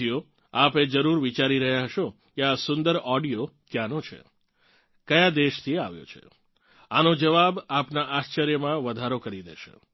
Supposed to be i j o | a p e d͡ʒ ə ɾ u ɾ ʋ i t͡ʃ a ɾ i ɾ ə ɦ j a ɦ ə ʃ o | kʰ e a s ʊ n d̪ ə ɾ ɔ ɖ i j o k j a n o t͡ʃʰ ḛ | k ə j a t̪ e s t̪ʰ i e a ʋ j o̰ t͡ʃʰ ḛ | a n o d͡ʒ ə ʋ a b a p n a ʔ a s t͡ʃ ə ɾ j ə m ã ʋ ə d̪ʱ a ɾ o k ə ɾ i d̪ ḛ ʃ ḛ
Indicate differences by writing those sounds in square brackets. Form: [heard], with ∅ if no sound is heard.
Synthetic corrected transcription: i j o | a p e d͡ʒ ə ɾ u ɾ ʋ i t͡ʃ a ɾ i ɾ ə ɦ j a ɦ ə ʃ o | [k] e a s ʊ n d̪ ə ɾ ɔ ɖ i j o k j a n o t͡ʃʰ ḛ | k ə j a [d̪] e [ʃ] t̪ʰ i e a ʋ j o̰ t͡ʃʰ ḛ | a n o d͡ʒ ə ʋ a b a p n a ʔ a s t͡ʃ ə ɾ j ə m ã ʋ ə d̪ʱ a ɾ o k ə ɾ i d̪ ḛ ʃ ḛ